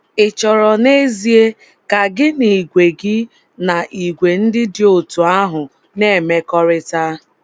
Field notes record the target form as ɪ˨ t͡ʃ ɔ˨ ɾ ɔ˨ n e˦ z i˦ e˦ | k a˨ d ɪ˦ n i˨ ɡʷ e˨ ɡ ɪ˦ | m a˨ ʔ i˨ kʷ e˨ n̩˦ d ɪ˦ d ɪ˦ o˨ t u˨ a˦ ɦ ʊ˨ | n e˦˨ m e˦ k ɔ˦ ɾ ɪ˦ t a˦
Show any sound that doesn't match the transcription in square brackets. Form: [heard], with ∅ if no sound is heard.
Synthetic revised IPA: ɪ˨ t͡ʃ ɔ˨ ɾ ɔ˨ n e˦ z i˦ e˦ | k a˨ [ɡ] ɪ˦ n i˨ ɡʷ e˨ ɡ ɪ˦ | [n] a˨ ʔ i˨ [ɡʷ] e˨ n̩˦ d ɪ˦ d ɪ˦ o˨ t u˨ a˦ ɦ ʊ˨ | n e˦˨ m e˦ k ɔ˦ ɾ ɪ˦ t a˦

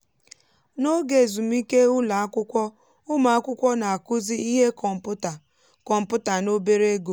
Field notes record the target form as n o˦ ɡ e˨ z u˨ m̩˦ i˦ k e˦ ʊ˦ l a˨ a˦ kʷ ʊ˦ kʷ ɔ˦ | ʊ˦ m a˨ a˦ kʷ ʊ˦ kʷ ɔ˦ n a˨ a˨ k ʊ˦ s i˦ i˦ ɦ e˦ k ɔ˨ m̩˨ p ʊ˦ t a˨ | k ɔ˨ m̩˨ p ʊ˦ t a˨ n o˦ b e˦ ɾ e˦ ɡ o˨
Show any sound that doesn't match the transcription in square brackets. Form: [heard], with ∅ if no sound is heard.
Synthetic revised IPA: n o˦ ɡ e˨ z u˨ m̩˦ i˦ k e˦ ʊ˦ l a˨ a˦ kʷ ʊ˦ kʷ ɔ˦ | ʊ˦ m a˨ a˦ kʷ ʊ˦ kʷ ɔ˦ n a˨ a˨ k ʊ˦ [z] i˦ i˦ ɦ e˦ k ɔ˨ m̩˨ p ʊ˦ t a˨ | k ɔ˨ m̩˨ p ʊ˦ t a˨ n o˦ b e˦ ɾ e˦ ɡ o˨

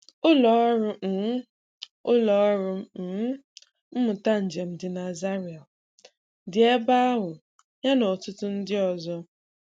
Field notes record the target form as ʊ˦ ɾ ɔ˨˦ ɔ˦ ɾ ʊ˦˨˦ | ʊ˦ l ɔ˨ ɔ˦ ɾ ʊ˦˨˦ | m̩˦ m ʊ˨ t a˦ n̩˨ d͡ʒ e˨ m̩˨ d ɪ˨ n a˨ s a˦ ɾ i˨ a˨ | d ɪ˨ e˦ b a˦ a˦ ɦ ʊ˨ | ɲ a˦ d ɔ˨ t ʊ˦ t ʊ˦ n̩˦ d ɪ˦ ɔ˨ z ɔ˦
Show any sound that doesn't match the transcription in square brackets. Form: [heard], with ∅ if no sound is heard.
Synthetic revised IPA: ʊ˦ [l] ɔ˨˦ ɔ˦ ɾ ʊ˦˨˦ | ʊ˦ l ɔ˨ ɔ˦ ɾ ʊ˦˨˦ | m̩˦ m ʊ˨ t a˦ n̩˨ d͡ʒ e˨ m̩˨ d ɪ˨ n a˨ [z] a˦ ɾ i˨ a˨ | d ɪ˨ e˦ b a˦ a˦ ɦ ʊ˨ | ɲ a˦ [n] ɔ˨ t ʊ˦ t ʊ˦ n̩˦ d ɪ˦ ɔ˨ z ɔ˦

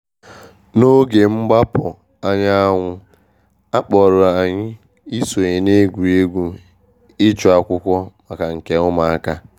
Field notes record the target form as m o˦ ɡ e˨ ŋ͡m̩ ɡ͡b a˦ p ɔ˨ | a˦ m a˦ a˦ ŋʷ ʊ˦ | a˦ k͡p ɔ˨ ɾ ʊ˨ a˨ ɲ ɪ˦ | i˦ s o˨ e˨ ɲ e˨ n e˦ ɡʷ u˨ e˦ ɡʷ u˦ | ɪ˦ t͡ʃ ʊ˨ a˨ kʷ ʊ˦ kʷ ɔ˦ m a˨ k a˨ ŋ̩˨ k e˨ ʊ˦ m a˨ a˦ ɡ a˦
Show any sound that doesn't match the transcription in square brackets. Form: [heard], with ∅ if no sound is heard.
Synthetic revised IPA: [n] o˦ ɡ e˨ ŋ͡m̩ ɡ͡b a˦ p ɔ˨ | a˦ [ɲ] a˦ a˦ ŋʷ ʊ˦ | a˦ k͡p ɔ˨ ɾ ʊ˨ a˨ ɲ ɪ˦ | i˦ s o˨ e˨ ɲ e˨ n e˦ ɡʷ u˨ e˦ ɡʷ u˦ | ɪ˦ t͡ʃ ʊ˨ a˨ kʷ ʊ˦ kʷ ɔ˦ m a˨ k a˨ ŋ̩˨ k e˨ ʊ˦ m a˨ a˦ [k] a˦

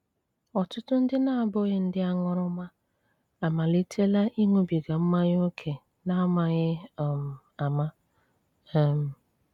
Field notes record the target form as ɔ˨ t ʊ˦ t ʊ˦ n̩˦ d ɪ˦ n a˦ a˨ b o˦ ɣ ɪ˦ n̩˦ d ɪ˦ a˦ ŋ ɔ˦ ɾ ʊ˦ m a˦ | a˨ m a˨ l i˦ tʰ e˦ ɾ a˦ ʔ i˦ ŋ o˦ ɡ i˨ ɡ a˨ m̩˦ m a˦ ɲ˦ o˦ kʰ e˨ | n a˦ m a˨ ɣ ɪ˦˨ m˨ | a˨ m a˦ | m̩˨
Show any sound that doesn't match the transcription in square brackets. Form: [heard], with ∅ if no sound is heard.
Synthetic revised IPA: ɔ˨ t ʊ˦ t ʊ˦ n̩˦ d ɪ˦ n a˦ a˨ b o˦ ɣ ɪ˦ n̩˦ d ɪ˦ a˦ ŋ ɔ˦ ɾ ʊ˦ m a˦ | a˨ m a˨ l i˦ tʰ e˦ [l] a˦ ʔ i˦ ŋ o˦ [b] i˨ ɡ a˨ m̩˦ m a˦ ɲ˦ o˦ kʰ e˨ | n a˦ m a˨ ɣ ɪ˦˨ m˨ | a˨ m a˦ | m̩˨

